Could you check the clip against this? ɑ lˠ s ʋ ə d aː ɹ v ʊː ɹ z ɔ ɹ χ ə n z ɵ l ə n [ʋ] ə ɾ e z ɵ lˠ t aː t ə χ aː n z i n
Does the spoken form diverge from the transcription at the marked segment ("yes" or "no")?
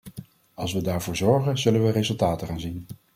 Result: no